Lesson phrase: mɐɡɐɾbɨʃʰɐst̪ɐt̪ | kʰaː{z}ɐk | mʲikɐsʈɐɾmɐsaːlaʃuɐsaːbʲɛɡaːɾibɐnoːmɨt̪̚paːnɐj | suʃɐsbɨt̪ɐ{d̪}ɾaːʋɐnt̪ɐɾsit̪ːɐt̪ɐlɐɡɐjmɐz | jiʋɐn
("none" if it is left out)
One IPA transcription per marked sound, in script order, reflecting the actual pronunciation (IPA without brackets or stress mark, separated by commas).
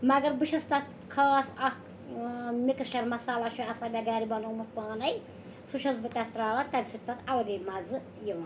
s, t̪